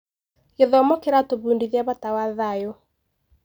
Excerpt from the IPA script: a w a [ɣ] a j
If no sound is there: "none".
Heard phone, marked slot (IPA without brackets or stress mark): ð